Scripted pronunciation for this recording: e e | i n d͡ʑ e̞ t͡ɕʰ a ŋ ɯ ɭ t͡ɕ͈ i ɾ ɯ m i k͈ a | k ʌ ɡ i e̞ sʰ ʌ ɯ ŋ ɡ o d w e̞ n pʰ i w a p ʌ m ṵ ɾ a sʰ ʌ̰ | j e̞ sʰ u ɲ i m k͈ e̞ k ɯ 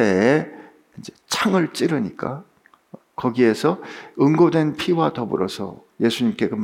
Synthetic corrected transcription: e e | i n d͡ʑ e̞ t͡ɕʰ a ŋ ɯ ɭ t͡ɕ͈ i ɾ ɯ ɲ i k͈ a | k ʌ ɡ i e̞ sʰ ʌ ɯ ŋ ɡ o d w e̞ n pʰ i w a t ʌ b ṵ ɾ ʌ sʰ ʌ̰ | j e̞ sʰ u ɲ i m k͈ e̞ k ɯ